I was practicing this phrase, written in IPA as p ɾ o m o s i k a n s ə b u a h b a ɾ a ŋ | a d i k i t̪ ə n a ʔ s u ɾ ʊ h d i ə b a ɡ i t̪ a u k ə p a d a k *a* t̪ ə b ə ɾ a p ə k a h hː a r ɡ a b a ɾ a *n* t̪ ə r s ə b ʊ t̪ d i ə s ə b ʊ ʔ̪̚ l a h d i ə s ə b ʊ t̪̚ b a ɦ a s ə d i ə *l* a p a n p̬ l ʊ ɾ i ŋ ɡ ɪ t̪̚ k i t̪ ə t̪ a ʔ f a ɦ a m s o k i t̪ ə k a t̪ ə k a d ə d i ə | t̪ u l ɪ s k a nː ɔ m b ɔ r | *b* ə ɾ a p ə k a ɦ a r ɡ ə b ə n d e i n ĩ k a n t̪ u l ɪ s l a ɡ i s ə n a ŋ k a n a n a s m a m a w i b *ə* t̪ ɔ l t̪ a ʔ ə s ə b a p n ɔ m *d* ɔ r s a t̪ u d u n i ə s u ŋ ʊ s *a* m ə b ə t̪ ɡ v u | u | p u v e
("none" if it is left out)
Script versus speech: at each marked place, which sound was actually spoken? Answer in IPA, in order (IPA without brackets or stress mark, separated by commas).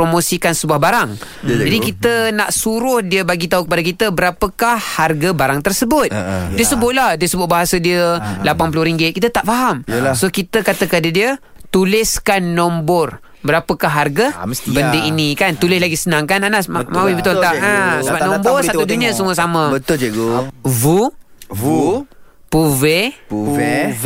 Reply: i, ŋ, l, b, ə, b, a